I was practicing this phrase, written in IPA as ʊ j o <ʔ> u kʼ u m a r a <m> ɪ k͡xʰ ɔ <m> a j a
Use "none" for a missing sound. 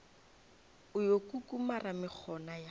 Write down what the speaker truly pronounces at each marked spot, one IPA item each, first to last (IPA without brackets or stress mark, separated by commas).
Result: k, m, n